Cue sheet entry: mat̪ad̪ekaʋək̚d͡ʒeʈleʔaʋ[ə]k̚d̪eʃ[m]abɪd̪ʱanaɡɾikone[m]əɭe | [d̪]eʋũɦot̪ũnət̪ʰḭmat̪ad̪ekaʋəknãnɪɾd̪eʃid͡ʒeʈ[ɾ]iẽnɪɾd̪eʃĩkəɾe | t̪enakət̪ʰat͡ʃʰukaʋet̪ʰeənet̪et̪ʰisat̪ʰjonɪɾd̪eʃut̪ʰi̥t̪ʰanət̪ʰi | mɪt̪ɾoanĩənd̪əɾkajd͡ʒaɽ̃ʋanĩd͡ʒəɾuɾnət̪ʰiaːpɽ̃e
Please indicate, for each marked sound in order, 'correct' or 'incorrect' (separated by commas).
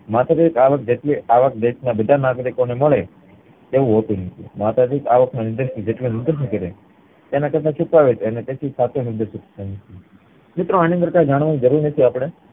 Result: correct, incorrect, correct, incorrect, incorrect